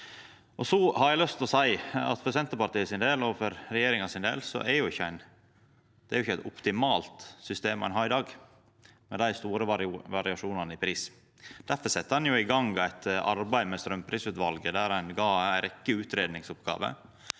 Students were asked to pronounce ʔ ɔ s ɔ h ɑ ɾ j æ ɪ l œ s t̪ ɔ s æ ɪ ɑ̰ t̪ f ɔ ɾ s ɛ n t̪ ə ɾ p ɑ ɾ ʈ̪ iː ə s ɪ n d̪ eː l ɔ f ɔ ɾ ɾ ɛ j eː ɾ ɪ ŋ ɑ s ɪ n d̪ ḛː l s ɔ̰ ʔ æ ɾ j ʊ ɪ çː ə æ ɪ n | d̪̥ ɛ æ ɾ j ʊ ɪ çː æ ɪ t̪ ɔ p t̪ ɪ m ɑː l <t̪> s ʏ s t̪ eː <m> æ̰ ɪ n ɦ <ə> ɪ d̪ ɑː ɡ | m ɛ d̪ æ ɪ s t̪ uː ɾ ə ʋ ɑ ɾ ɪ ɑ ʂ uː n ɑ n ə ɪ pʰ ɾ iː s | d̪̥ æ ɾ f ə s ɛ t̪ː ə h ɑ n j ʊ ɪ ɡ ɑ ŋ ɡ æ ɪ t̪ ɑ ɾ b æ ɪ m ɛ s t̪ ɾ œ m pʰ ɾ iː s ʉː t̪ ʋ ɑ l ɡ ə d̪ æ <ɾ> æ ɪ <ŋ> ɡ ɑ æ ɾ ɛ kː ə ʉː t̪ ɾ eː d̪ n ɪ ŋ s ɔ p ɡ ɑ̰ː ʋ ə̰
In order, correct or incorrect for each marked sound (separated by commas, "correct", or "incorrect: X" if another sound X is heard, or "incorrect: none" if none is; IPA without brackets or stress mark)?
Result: correct, correct, incorrect: ɑ, correct, incorrect: n